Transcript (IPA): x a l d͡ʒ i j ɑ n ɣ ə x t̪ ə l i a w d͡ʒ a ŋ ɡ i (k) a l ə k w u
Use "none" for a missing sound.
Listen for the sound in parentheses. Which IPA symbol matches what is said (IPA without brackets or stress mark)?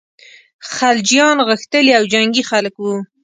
x